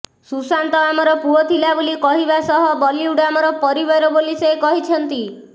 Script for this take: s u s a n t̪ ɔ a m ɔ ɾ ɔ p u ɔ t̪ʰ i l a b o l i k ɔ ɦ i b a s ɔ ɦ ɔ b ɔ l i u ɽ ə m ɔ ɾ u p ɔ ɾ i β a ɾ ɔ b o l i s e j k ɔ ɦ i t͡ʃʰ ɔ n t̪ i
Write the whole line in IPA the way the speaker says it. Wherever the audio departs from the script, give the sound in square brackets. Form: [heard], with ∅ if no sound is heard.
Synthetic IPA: s u s a n t̪ ɔ a m ɔ ɾ ɔ p u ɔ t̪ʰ i l a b o l i k ɔ ɦ i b a s ɔ ɦ ɔ b ɔ l i u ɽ [a] m ɔ ɾ [ɔ] p ɔ ɾ i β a ɾ ɔ b o l i s e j k ɔ ɦ i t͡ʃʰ ɔ n t̪ i